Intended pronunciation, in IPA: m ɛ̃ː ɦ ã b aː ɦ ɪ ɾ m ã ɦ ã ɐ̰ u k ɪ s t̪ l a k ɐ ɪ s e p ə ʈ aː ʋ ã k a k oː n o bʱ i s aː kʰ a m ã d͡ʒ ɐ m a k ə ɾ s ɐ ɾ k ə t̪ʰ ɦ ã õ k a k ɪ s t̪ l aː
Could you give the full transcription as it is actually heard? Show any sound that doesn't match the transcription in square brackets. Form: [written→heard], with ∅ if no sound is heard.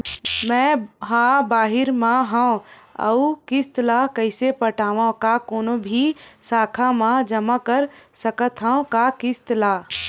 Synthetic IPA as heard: m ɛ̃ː ɦ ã b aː ɦ ɪ ɾ m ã ɦ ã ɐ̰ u k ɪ s t̪ l a k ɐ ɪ s e p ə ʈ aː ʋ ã k a k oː n o bʱ i s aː kʰ a m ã d͡ʒ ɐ m a k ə ɾ s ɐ [ɾ→∅] k ə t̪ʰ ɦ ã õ k a k ɪ s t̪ l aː